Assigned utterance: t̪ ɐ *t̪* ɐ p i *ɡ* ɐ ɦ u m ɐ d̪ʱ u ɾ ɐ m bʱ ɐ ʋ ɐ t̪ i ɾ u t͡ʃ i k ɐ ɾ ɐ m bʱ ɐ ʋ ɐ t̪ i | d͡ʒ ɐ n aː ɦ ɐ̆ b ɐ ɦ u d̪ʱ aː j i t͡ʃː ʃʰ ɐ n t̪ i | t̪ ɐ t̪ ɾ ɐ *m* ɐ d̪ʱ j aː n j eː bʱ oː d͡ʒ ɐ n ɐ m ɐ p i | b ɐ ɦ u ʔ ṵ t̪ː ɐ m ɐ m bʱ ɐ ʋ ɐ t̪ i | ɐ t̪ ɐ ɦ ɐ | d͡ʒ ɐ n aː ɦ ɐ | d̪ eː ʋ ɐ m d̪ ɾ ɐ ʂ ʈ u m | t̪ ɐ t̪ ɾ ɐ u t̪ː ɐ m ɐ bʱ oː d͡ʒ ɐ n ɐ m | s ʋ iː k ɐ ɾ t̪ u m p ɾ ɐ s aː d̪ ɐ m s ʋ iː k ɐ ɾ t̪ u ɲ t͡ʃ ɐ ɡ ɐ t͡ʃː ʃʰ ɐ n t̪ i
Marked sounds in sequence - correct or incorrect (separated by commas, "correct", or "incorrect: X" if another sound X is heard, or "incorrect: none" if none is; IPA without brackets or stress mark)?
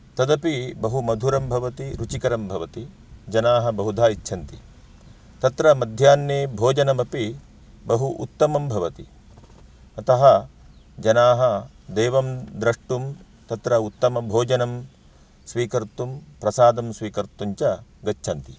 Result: incorrect: d̪, incorrect: b, correct